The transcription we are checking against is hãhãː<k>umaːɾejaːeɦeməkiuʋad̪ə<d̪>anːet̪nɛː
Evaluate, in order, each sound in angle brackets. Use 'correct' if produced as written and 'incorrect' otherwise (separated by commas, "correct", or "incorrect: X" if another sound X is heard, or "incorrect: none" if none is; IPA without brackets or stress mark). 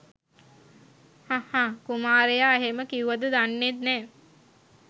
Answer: correct, correct